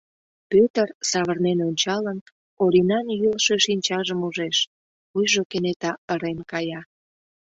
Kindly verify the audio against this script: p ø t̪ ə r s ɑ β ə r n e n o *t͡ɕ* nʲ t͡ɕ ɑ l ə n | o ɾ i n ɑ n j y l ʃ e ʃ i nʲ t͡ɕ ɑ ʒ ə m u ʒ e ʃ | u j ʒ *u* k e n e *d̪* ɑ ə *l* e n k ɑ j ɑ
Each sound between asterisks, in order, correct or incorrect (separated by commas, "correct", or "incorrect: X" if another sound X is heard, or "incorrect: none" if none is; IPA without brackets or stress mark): incorrect: none, incorrect: o, incorrect: t̪, incorrect: ɾ